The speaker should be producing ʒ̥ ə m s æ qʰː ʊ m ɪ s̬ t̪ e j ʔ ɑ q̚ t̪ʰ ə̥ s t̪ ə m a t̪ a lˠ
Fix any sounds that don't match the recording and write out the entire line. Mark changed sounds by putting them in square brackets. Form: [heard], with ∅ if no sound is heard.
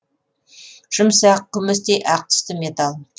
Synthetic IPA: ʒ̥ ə m s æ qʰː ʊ m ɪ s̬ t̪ e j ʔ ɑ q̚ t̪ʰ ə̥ s t̪ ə m [e] t̪ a lˠ